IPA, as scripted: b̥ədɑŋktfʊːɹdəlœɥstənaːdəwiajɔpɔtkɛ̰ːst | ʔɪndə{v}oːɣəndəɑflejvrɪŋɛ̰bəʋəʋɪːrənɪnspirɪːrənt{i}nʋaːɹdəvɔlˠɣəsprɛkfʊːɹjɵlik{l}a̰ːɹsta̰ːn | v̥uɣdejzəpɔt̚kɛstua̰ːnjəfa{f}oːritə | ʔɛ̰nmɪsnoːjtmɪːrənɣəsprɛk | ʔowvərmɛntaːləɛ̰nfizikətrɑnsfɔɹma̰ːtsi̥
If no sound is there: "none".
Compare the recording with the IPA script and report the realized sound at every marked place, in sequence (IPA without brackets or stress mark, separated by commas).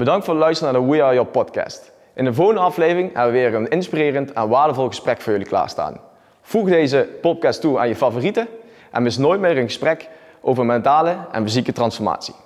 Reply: v, ɛ, l, v